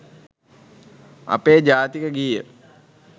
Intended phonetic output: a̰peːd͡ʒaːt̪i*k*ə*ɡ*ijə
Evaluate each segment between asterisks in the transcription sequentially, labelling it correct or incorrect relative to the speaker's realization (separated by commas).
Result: correct, correct